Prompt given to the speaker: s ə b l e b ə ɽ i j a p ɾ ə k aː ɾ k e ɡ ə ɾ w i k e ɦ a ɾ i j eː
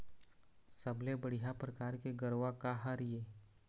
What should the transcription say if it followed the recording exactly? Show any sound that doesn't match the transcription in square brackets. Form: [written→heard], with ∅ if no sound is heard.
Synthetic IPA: s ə b l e b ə ɽ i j a p ɾ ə k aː ɾ k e ɡ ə ɾ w [i→a] k [e→a] ɦ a ɾ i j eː